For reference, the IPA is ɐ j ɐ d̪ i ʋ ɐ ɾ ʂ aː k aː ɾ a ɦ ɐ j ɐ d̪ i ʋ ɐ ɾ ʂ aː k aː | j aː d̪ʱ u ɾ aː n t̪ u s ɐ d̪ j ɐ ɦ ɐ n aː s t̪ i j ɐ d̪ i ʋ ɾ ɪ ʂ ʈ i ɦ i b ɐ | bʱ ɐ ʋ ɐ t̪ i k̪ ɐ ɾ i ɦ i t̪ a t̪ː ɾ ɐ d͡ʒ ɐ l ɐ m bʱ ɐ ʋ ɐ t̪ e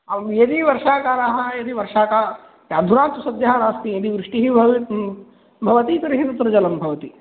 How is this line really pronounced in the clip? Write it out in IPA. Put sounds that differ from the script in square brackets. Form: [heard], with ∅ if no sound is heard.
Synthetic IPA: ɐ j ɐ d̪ i ʋ ɐ ɾ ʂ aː k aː ɾ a ɦ ɐ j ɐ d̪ i ʋ ɐ ɾ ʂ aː k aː | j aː d̪ʱ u ɾ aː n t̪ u s ɐ d̪ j ɐ ɦ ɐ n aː s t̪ i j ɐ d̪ i ʋ ɾ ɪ ʂ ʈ i ɦ i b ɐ | bʱ ɐ ʋ ɐ t̪ i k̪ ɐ ɾ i ɦ i t̪ [ɐ] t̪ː ɾ ɐ d͡ʒ ɐ l ɐ m bʱ ɐ ʋ ɐ t̪ [i]